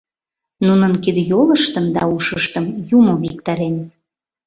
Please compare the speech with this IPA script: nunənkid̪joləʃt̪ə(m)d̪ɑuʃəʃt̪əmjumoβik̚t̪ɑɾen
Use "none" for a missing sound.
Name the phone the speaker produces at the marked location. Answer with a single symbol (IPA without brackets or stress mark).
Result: m